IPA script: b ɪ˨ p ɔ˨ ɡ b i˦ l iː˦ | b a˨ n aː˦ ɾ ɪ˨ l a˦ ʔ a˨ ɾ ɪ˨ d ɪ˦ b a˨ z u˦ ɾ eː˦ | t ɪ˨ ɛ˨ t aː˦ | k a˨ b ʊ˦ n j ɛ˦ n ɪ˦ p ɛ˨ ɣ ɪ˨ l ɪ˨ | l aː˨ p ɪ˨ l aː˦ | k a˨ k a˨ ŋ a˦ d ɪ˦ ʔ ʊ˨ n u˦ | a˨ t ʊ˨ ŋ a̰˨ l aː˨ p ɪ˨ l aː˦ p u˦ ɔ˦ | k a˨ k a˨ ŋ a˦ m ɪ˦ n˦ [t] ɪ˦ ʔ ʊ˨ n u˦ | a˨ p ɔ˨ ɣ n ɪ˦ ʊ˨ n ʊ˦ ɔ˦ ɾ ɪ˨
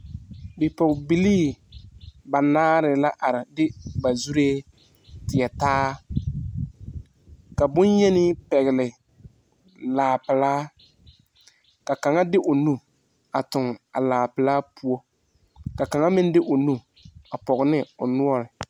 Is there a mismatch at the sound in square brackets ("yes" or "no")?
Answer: yes